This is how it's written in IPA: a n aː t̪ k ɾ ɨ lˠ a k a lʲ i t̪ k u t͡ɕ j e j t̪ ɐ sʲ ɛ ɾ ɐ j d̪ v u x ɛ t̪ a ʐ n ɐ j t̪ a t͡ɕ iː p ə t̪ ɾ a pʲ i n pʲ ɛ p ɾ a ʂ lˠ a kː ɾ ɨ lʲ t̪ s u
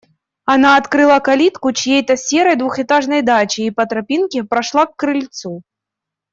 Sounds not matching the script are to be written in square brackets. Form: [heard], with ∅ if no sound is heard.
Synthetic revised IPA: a n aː t̪ k ɾ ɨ lˠ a k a lʲ i t̪ k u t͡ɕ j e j t̪ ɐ sʲ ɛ ɾ ɐ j d̪ v u x ɛ t̪ a ʐ n ɐ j [d̪] a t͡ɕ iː p [ɐ] t̪ ɾ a pʲ i n [kʲ] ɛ p ɾ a ʂ lˠ a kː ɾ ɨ lʲ t̪ s u